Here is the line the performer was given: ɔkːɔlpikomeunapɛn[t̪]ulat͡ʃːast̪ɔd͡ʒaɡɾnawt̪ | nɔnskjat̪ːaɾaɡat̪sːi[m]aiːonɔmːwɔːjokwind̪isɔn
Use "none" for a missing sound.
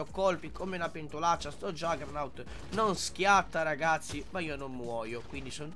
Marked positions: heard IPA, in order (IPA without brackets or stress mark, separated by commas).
t̪, m